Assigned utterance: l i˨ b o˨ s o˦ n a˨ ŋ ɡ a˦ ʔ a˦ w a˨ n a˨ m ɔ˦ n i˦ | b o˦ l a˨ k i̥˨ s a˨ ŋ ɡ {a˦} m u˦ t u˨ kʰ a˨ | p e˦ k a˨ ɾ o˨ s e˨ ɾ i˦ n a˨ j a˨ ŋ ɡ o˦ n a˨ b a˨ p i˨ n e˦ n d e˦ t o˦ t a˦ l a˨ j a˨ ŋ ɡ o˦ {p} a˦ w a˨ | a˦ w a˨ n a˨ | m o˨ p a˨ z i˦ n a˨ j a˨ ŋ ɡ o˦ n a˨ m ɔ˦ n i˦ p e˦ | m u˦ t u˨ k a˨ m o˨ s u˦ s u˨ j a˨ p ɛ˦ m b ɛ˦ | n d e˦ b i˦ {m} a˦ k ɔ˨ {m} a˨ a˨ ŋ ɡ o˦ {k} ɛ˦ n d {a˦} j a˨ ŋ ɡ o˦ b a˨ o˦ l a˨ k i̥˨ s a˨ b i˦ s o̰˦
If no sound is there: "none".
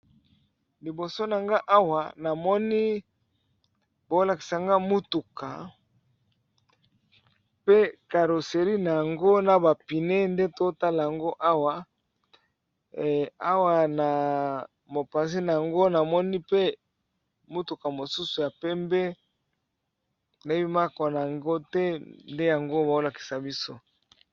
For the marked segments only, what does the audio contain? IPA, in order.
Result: a˦, ʔ, m, n, t, e˦

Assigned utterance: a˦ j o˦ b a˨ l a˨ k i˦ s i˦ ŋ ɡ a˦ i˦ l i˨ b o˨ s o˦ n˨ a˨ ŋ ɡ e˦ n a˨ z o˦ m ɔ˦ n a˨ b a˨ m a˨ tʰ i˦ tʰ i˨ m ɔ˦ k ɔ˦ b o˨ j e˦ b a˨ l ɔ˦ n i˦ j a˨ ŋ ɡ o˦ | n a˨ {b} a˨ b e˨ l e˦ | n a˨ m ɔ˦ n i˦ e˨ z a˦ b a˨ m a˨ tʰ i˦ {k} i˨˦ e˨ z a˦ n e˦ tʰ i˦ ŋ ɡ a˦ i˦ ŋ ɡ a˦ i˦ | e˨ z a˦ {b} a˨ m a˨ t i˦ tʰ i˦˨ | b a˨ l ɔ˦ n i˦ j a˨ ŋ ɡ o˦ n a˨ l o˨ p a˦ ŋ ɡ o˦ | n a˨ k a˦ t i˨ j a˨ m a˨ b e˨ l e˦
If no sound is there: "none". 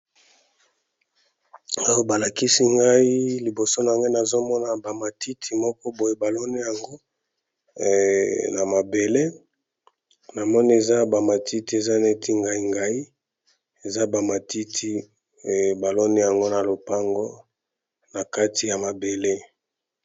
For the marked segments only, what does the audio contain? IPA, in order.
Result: m, t, b

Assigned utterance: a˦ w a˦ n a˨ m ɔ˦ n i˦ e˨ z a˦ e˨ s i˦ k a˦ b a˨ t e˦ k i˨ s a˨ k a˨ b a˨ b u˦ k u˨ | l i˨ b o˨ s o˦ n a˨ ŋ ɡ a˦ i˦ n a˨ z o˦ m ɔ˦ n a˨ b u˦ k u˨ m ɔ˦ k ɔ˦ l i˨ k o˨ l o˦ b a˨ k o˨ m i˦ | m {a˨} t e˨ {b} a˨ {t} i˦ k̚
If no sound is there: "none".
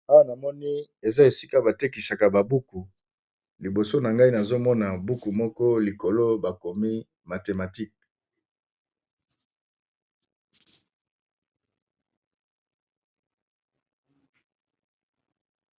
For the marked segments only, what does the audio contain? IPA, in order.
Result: a˨, m, t

